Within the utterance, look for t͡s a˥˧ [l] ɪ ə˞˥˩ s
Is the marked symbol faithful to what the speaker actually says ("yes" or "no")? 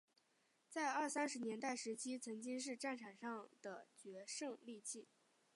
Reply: no